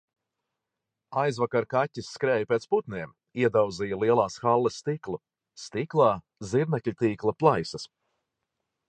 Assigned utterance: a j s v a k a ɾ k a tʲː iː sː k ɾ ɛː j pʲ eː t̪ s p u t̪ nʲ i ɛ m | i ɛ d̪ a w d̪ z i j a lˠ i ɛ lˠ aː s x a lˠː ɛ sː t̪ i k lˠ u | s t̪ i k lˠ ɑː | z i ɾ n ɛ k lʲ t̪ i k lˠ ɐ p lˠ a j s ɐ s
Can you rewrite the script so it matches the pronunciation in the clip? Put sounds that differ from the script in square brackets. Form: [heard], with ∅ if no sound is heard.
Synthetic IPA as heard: a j [z] v a k a ɾ k a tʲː [i] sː k ɾ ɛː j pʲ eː t̪ s p u t̪ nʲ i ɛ m | i ɛ d̪ a w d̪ z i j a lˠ i ɛ lˠ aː s x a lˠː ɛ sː t̪ i k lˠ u | s t̪ i k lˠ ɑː | z i ɾ n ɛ k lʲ t̪ [iː] k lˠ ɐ p lˠ a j s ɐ s